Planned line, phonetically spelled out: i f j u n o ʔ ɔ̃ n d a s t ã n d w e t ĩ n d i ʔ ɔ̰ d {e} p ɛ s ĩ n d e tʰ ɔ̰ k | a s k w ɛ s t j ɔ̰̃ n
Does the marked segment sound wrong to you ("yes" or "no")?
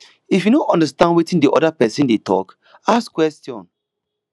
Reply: yes